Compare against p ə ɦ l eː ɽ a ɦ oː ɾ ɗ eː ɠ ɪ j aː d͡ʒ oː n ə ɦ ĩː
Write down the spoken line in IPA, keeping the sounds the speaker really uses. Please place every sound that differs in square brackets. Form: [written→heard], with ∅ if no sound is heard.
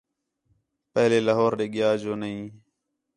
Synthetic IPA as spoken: p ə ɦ l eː [ɽ→l] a ɦ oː ɾ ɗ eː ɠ ɪ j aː d͡ʒ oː n ə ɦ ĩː